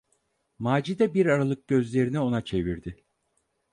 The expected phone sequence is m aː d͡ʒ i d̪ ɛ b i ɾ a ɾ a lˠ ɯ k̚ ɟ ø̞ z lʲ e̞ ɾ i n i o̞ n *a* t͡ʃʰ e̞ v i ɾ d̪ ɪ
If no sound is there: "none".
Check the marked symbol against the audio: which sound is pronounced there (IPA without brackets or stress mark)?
a